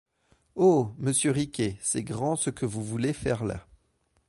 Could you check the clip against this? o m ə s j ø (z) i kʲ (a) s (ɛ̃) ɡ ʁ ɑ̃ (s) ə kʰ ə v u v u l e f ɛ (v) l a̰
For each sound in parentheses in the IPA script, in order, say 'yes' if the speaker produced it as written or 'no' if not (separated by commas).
no, no, no, yes, no